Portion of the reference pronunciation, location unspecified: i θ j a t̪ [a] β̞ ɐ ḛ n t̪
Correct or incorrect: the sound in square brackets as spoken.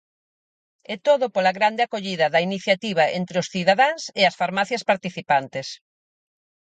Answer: incorrect: i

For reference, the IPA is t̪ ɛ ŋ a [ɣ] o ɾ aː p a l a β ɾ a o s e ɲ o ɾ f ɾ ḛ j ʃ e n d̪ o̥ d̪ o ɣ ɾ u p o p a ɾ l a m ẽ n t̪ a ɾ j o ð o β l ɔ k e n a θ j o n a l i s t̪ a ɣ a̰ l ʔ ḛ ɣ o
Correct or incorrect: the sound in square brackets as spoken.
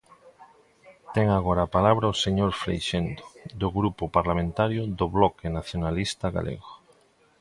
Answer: correct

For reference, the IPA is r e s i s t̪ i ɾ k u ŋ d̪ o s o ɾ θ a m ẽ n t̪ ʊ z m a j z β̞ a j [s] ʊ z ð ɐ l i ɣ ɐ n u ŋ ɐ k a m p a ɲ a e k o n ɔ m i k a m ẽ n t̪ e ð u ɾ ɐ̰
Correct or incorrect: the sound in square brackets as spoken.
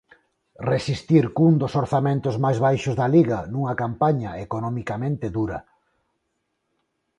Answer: incorrect: ʃ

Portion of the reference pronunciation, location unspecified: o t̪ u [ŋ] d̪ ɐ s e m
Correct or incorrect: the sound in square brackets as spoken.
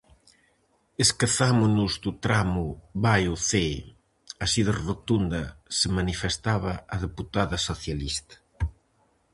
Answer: incorrect: n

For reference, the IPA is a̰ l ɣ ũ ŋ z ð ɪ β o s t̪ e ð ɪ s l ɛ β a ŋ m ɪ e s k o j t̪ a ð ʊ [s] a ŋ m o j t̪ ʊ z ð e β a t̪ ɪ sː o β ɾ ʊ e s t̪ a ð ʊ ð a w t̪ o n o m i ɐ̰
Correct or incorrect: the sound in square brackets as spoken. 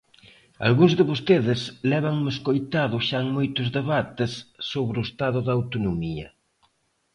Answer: incorrect: ʃ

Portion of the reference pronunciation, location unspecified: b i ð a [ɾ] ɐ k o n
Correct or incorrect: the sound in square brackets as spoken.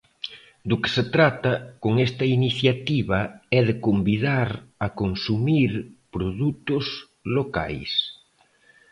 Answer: correct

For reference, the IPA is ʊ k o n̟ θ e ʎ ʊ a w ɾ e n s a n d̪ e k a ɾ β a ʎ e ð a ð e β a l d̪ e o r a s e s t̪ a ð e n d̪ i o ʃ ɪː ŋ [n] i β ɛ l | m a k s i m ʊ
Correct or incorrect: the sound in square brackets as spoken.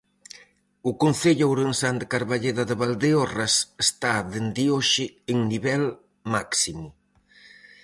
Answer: correct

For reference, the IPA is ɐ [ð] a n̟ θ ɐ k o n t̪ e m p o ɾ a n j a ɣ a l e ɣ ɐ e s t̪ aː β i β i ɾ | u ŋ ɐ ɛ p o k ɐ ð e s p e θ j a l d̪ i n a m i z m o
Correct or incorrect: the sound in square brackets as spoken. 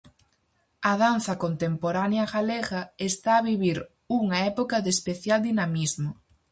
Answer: correct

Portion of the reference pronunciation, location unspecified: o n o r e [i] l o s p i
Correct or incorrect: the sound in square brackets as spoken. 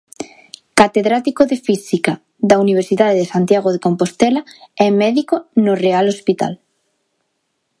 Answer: incorrect: a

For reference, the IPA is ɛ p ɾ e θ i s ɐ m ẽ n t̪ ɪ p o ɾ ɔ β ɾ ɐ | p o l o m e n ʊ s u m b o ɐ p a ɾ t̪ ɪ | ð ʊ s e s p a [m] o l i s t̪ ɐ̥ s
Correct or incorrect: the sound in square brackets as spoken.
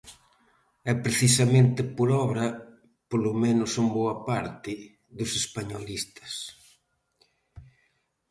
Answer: incorrect: ɲ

